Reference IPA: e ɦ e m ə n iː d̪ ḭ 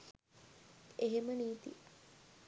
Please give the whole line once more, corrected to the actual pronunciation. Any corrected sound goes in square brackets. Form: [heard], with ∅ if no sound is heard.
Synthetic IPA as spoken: e ɦ e m ə n iː [t̪] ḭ